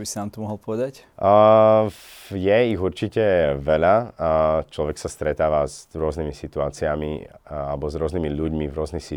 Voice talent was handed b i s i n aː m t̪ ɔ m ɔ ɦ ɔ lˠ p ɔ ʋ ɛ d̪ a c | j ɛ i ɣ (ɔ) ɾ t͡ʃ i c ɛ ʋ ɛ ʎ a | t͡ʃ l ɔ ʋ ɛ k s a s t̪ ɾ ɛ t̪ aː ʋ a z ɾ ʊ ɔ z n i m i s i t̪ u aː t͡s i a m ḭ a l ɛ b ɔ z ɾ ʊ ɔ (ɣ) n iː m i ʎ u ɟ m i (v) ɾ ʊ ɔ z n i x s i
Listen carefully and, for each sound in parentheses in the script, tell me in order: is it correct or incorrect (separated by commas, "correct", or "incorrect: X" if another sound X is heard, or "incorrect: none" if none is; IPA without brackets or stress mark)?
incorrect: u, incorrect: z, correct